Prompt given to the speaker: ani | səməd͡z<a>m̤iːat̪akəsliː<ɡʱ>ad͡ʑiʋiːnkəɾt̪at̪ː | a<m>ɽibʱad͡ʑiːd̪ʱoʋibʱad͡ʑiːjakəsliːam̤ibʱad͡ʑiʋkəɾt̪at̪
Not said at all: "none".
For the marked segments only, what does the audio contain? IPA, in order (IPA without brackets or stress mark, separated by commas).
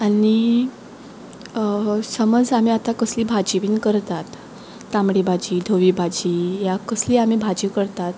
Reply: a, bʱ, m